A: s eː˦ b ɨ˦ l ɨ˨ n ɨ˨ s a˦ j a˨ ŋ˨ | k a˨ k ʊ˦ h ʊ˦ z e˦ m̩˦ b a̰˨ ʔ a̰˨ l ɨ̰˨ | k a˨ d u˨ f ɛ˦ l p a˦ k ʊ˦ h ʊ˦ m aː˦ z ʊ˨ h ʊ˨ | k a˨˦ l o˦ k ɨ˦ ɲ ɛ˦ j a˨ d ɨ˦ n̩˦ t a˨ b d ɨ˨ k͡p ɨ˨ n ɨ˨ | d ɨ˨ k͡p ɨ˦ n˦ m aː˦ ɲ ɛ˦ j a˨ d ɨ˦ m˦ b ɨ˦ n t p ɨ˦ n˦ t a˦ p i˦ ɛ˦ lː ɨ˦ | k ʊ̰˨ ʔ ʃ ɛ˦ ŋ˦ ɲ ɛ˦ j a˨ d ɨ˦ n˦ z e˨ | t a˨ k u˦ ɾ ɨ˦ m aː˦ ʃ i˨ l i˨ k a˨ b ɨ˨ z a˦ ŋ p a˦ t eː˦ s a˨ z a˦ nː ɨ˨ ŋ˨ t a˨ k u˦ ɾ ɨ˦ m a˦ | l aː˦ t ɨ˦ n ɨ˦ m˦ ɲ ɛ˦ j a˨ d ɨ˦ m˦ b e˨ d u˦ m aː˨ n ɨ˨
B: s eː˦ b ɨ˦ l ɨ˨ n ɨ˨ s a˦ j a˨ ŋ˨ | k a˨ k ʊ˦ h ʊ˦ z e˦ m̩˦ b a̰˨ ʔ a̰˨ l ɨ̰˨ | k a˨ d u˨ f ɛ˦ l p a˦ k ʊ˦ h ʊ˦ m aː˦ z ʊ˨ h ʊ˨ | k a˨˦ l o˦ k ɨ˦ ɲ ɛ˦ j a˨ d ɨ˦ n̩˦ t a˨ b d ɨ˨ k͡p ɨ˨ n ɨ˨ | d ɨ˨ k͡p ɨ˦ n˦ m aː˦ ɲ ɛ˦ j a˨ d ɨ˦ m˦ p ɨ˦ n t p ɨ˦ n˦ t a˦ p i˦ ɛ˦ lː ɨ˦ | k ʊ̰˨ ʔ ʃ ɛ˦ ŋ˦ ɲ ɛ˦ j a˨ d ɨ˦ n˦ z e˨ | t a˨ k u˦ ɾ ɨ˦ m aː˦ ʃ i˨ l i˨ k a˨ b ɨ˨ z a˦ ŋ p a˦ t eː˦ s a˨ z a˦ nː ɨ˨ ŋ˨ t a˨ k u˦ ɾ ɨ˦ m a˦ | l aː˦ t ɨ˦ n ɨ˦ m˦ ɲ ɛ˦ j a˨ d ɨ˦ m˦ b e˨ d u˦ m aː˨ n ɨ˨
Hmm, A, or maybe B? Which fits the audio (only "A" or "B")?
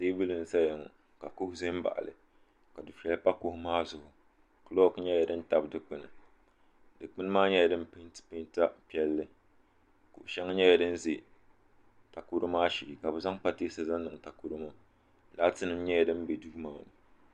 B